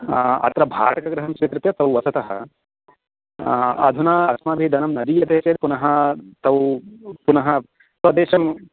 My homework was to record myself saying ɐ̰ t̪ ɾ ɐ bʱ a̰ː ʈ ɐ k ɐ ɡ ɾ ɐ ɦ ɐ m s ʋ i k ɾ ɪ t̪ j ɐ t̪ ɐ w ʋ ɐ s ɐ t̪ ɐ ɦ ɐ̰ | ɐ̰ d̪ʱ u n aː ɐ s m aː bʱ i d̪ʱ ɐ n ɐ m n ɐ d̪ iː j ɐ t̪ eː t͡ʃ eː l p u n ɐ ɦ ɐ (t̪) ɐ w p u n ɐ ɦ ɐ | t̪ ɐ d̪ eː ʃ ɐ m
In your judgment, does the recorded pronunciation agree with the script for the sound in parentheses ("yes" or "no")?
yes